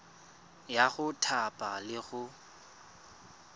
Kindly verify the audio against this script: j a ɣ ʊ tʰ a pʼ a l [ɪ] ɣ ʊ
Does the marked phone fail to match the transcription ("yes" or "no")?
no